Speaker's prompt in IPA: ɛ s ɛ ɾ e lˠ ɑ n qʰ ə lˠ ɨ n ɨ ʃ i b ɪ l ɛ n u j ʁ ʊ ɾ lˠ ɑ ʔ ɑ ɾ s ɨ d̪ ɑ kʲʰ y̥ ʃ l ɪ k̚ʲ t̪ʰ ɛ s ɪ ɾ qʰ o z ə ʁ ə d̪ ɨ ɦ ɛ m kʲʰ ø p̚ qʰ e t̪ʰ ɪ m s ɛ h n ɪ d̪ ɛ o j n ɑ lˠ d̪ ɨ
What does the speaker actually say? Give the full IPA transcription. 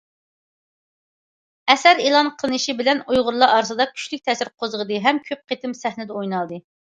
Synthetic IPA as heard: ɛ s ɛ ɾ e lˠ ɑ n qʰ ə lˠ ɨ n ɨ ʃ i b ɪ l ɛ n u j ʁ ʊ ɾ lˠ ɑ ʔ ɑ ɾ s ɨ d̪ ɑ kʲʰ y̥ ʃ l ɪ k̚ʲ t̪ʰ ɛ s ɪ ɾ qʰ o z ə ʁ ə d̪ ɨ ɦ ɛ m kʲʰ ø p̚ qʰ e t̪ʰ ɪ m s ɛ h n ɪ d̪ ɛ o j n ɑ lˠ d̪ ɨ

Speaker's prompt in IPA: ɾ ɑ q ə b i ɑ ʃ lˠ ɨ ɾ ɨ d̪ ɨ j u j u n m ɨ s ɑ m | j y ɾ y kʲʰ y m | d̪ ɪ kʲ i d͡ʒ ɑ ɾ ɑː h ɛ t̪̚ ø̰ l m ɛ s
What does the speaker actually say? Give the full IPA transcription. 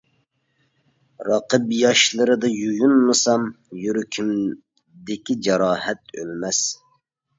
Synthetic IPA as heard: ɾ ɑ q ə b j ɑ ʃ lˠ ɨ ɾ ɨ d̪ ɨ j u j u n m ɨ s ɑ m | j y ɾ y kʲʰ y m | d̪ ɪ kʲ i d͡ʒ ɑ ɾ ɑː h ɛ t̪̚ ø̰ l m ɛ s

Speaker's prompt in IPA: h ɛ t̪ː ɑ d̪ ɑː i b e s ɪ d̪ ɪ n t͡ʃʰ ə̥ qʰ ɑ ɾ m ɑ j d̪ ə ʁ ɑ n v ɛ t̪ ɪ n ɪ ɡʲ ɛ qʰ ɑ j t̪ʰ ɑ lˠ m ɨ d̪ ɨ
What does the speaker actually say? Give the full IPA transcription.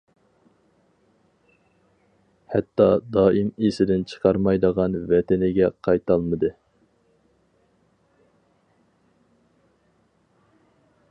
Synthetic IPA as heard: h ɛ t̪ː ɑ d̪ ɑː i m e s ɪ d̪ ɪ n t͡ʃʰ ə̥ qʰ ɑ ɾ m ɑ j d̪ ə ʁ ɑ n v ɛ t̪ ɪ n ɪ ɡʲ ɛ qʰ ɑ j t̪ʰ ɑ lˠ m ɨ d̪ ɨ

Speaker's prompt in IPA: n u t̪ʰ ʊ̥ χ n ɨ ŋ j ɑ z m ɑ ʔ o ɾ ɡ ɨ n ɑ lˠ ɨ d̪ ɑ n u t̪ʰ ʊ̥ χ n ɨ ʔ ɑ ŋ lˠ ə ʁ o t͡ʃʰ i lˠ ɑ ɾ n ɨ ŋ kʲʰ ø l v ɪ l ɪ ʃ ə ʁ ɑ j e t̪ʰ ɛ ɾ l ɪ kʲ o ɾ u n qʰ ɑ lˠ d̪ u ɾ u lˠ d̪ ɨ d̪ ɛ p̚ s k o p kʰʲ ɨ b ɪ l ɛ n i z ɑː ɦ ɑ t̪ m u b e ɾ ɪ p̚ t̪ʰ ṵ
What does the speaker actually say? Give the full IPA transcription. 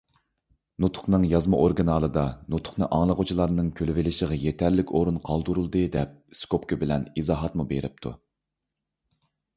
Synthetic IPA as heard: n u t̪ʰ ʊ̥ χ n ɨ ŋ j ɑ z m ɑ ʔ o ɾ ɡ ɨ n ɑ lˠ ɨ d̪ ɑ n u t̪ʰ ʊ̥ χ n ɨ ʔ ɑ ŋ lˠ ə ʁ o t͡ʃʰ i lˠ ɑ ɾ n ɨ ŋ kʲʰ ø l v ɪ l ɪ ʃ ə ʁ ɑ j e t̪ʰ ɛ ɾ l ɪ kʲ o ɾ u n qʰ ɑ lˠ d̪ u ɾ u lˠ d̪ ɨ d̪ ɛ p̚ s k o p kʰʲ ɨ b ɪ l ɛ n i z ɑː ɦ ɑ t̪ m u b e ɾ ɪ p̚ t̪ʰ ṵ

